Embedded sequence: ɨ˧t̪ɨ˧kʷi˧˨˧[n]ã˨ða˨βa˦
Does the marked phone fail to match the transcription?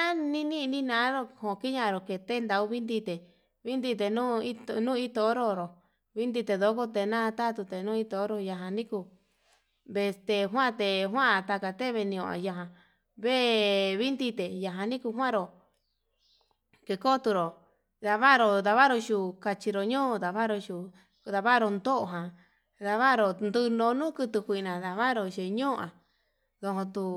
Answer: no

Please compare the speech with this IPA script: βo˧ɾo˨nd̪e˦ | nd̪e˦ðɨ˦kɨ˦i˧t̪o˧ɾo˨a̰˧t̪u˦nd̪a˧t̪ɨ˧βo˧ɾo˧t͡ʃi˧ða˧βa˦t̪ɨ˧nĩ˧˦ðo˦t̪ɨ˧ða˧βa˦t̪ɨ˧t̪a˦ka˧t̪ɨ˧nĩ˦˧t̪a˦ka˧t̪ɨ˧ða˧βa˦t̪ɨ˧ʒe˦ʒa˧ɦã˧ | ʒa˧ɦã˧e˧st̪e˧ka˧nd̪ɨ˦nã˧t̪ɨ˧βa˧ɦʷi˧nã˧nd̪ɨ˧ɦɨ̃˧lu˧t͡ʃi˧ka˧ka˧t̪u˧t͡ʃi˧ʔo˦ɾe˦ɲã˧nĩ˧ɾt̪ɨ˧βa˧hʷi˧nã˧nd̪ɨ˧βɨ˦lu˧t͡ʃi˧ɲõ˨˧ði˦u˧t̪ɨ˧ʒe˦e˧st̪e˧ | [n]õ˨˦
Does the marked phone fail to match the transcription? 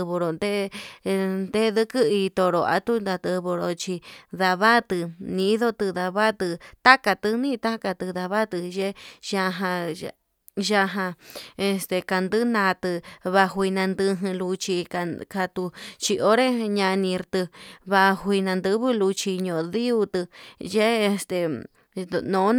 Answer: no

